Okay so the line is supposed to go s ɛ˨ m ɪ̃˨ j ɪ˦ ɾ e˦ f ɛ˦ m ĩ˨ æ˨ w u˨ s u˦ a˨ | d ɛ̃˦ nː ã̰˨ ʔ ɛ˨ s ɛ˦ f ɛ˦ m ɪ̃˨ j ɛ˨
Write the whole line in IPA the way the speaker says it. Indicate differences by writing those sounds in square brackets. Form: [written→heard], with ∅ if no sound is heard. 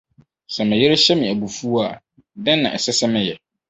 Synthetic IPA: s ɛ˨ m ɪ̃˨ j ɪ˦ ɾ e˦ [f→ɕ] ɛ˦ m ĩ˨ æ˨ [w→b] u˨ [s→f] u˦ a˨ | d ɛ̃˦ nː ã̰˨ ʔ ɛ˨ s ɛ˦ [f→s] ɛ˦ m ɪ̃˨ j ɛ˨

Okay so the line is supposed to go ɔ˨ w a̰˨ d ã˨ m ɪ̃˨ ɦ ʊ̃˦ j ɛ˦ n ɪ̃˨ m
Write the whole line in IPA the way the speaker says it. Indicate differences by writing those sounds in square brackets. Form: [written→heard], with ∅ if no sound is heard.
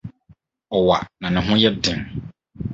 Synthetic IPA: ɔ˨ w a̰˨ [d→n] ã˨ [m→n] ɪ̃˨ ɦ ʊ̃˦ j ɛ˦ [n→d] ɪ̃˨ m

